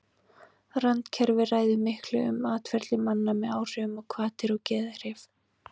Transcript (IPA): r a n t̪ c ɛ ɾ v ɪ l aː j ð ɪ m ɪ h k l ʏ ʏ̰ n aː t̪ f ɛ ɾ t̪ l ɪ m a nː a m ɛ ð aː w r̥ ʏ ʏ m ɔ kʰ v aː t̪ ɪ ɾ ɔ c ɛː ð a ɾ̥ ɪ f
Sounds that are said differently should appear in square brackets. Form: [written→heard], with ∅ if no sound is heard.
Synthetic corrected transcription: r a n t̪ [c→cʰ] ɛ ɾ v ɪ [l→r] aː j ð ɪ m ɪ h k l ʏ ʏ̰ [n→m] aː t̪ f ɛ ɾ t̪ l ɪ m a nː a m ɛ ð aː w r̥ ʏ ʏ m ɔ kʰ v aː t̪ ɪ ɾ ɔ c ɛː ð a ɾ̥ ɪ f

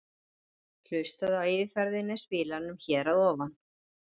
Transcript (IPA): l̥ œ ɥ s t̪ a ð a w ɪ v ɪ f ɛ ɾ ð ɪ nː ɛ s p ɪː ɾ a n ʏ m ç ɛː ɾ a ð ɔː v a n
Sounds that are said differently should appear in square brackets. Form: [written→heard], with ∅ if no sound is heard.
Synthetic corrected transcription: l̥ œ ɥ s t̪ a ð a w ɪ v ɪ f ɛ ɾ ð ɪ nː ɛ s p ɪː [ɾ→l] a n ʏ m ç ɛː ɾ a ð ɔː v a n

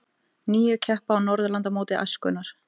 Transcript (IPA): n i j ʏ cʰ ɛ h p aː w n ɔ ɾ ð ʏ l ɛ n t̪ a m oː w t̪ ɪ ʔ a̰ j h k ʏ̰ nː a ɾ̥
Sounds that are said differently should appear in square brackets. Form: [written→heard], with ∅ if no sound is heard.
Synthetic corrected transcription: n [i→iː] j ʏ cʰ ɛ h p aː w n ɔ ɾ ð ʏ l [ɛ→a] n t̪ a m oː w t̪ ɪ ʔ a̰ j [h→s] k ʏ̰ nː a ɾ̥

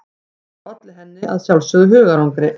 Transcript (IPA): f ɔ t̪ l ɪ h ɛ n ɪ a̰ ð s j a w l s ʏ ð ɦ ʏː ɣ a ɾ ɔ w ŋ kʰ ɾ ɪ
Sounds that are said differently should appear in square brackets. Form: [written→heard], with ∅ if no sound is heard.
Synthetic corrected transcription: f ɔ t̪ l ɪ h ɛ [n→nː] ɪ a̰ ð s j a w l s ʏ ð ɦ ʏː ɣ a ɾ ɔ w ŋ [kʰ→k] ɾ ɪ

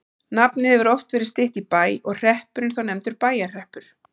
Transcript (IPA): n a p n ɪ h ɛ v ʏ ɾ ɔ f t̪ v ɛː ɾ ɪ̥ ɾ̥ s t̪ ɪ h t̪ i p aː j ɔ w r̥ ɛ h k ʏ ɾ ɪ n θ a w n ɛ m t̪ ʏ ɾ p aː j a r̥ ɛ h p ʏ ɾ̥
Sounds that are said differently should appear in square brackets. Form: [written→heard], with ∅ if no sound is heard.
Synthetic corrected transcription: n a p n ɪ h ɛ v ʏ ɾ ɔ f t̪ v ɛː ɾ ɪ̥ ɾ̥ s t̪ ɪ h t̪ i p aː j ɔ [w→ɣ] r̥ ɛ h [k→p] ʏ ɾ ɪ n θ a w n ɛ m t̪ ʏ ɾ p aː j a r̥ ɛ h p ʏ ɾ̥

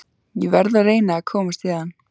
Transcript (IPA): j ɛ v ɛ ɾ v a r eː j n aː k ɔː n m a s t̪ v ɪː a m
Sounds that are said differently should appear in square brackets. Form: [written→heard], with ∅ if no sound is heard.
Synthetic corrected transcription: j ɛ v ɛ ɾ [v→ð] a r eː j n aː [k→kʰ] ɔː [n→∅] m a s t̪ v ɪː a [m→n]

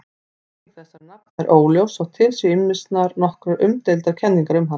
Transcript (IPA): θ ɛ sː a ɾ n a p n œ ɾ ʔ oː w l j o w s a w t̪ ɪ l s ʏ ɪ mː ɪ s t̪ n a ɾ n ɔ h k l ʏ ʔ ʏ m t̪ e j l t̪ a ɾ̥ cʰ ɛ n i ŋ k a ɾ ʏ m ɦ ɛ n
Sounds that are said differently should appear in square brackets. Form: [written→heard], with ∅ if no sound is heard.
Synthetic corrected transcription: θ ɛ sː a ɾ n a p n [œ→ɛ] ɾ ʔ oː w l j o w s a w [t̪→t̪ʰ] ɪ l s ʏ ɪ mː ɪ s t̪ n a ɾ n ɔ h k [l→ɾ] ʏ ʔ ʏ m t̪ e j l t̪ a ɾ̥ cʰ ɛ [n→nː] i ŋ k a ɾ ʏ m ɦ [ɛ→a] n

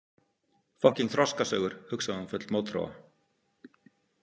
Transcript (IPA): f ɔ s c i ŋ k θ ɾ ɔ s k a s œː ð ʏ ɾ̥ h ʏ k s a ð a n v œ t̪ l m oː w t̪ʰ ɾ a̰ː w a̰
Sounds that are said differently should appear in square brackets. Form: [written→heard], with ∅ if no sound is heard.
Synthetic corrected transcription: f ɔ [s→h] c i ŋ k θ ɾ ɔ s k a s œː [ð→ɣ] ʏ ɾ̥ h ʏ k s a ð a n [v→f] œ t̪ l m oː w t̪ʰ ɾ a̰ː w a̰

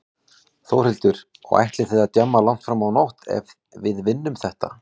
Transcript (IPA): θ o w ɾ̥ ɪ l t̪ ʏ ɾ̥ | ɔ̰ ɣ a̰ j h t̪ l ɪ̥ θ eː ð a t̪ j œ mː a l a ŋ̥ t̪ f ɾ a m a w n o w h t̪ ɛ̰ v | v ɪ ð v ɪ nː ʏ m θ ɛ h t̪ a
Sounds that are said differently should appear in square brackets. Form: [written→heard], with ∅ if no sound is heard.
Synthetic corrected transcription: θ o w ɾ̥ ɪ l t̪ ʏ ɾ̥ | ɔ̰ ɣ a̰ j h t̪ l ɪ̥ θ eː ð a t̪ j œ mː a l a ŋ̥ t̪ f ɾ a m a w n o w h t̪ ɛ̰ v | v ɪ ð v ɪ nː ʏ m θ ɛ h t̪ a

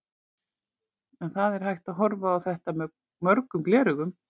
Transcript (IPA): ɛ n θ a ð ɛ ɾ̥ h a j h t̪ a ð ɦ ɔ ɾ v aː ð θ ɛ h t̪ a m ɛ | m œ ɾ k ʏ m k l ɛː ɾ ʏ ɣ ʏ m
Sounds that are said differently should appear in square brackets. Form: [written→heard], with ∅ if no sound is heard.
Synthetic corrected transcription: ɛ n θ a ð ɛ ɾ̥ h a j h t̪ a ð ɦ ɔ ɾ v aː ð θ ɛ h t̪ a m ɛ | m œ ɾ k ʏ m k l ɛː ɾ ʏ ɣ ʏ m

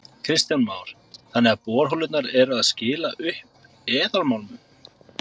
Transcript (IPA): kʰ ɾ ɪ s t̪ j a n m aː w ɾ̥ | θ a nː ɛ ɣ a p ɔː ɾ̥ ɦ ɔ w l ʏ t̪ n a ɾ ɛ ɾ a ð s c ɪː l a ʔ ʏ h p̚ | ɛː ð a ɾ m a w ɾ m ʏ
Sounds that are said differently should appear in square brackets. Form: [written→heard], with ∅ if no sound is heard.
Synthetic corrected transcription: kʰ ɾ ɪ s t̪ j a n m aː w ɾ̥ | θ a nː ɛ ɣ a p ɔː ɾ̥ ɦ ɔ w l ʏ t̪ n a ɾ ɛ ɾ a ð s c ɪː l a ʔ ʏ h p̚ | ɛː ð a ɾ m a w [ɾ→l] m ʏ

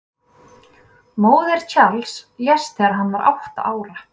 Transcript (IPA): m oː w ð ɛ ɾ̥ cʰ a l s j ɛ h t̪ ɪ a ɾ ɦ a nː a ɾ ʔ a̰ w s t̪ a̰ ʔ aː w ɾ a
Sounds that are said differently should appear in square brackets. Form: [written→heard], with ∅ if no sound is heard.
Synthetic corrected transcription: m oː w ð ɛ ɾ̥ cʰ a l s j ɛ [h→s] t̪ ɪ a ɾ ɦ a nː a ɾ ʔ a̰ w [s→h] t̪ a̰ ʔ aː w ɾ a

